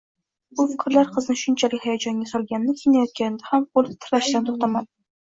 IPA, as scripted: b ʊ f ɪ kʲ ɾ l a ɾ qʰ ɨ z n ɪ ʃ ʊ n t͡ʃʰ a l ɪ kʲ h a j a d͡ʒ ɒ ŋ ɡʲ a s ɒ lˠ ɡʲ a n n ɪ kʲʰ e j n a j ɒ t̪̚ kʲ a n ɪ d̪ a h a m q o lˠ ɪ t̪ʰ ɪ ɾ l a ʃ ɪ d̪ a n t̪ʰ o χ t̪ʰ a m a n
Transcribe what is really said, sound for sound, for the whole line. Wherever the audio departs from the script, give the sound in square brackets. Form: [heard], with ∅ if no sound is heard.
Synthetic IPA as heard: b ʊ f ɪ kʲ ɾ l a ɾ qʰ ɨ z n ɪ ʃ ʊ n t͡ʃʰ a l ɪ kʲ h a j a d͡ʒ ɒ ŋ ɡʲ a s ɒ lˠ ɡʲ a n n ɪ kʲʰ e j n a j ɒ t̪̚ kʲ a n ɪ d̪ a h a m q o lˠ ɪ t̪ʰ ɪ ɾ l a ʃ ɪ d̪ a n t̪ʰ o χ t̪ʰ a m a n